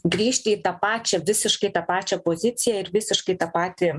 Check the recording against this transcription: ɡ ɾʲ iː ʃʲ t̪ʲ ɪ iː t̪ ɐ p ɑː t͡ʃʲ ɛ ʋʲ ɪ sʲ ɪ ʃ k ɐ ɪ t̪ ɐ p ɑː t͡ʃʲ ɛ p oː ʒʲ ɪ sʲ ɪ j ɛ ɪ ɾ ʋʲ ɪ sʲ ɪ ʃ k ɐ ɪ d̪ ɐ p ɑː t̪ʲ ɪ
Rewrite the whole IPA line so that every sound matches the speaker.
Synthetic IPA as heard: ɡ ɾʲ iː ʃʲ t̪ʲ ɪ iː t̪ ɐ p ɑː t͡ʃʲ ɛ ʋʲ ɪ sʲ ɪ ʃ k ɐ ɪ t̪ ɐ p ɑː t͡ʃʲ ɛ p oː zʲ ɪ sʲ ɪ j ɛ ɪ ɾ ʋʲ ɪ sʲ ɪ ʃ k ɐ ɪ t̪ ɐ p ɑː t̪ʲ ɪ